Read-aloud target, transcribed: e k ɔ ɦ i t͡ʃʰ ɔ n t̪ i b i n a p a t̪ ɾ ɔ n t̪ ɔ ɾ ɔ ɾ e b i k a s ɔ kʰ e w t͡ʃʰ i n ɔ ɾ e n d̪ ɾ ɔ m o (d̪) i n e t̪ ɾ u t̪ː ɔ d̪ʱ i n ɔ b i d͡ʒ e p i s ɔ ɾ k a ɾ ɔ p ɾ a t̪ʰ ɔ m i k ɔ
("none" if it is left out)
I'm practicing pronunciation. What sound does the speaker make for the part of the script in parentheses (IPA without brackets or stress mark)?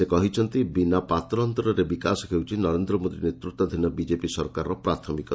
d̪